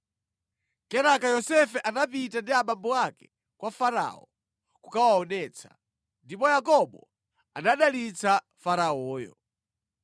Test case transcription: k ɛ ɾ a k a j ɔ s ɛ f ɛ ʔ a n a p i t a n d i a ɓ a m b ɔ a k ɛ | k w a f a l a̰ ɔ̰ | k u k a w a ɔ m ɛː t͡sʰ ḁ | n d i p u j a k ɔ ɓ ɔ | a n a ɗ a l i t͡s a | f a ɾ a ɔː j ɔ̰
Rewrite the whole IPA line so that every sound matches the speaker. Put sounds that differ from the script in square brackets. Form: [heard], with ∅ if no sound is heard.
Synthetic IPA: k ɛ ɾ a k a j ɔ s ɛ f ɛ ʔ a n a p i t a n d i a ɓ a m b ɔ a k ɛ | k w a f a [ɾ] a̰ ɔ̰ | k u k a w a ɔ [n] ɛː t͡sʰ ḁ | n d i p [ɔ] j a k ɔ ɓ ɔ | a n a ɗ a l i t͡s a | f a ɾ a ɔː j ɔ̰